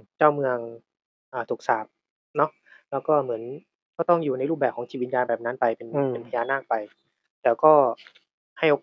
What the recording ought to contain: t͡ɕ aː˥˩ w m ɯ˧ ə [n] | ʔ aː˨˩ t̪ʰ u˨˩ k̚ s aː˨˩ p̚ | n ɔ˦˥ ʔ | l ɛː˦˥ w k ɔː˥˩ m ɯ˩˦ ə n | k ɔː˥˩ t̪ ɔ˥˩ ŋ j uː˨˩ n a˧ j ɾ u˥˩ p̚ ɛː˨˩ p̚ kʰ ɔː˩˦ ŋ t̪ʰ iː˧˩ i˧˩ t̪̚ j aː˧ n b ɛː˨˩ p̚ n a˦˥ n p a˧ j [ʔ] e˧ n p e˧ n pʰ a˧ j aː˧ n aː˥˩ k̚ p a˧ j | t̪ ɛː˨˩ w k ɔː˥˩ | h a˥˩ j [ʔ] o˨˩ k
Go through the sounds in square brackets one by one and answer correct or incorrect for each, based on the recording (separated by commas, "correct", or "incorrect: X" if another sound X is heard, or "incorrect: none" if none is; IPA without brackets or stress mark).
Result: incorrect: ŋ, incorrect: p, correct